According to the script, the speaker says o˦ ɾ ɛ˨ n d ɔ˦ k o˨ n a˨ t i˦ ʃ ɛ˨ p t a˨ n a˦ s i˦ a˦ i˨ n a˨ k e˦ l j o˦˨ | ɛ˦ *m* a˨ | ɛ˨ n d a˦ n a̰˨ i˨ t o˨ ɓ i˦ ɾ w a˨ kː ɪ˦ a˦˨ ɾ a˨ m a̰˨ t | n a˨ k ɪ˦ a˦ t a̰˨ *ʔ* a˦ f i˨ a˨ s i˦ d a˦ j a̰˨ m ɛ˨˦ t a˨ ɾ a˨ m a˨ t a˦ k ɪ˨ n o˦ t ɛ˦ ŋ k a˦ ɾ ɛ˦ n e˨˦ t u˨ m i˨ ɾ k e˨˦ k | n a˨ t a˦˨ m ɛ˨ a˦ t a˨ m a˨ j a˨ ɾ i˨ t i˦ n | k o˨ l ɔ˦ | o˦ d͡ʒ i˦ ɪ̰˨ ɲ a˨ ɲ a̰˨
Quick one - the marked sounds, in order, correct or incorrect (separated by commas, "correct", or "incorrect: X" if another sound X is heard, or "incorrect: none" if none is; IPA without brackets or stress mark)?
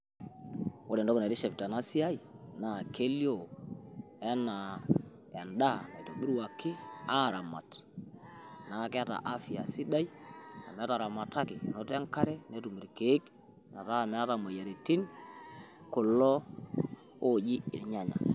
incorrect: n, correct